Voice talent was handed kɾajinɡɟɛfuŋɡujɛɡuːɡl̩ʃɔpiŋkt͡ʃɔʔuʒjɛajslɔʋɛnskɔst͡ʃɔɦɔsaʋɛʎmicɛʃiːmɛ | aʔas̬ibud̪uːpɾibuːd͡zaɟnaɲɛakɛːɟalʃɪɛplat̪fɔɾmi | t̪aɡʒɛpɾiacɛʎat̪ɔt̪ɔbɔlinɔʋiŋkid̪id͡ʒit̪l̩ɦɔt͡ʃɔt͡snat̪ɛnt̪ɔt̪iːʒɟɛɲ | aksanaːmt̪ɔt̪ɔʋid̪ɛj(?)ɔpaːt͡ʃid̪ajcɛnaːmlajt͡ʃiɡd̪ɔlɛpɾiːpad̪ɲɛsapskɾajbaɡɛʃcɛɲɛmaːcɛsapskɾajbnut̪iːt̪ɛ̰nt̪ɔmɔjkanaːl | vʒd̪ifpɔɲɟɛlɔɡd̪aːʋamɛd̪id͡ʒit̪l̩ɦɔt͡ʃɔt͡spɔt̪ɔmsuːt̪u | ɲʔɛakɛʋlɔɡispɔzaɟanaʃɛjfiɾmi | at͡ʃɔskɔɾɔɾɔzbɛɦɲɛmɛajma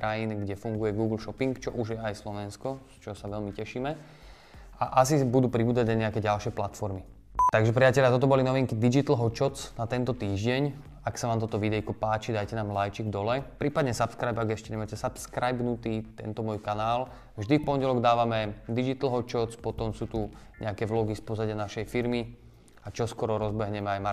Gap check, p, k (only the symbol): k